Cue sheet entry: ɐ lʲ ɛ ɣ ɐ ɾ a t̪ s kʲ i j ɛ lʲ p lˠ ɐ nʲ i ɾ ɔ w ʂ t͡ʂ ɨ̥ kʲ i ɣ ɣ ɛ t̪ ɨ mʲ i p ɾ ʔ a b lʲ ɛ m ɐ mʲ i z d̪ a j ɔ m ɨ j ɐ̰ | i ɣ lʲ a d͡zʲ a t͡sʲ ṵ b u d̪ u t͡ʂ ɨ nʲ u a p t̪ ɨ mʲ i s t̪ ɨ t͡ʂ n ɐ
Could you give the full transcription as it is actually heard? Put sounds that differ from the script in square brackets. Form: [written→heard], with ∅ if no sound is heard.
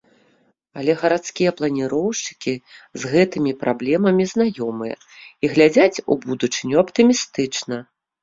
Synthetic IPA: ɐ lʲ ɛ ɣ ɐ ɾ a t̪ s kʲ i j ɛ [lʲ→∅] p lˠ ɐ nʲ i ɾ ɔ w ʂ t͡ʂ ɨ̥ kʲ i [ɣ→z] ɣ ɛ t̪ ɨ mʲ i p ɾ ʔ a b lʲ ɛ m ɐ mʲ i z [d̪→n̪] a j ɔ m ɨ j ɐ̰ | i ɣ lʲ a d͡zʲ a t͡sʲ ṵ b u d̪ u t͡ʂ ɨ nʲ u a p t̪ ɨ mʲ i s t̪ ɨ t͡ʂ n ɐ